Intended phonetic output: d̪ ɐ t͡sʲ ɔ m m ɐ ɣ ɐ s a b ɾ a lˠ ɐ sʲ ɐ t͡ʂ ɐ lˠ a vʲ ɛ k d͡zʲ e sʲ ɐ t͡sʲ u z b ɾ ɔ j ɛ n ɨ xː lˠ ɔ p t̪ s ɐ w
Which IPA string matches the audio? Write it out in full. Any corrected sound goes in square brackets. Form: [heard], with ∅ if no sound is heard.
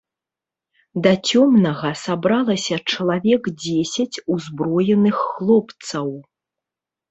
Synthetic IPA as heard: d̪ ɐ t͡sʲ ɔ m [n] ɐ ɣ ɐ s a b ɾ a lˠ ɐ sʲ ɐ t͡ʂ ɐ lˠ a vʲ ɛ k d͡zʲ e sʲ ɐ t͡sʲ u z b ɾ ɔ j ɛ n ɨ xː lˠ ɔ p t̪ s ɐ w